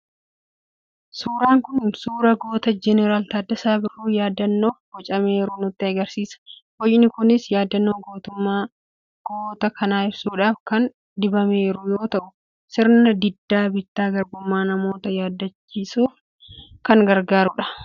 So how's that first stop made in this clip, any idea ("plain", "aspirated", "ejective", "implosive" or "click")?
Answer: plain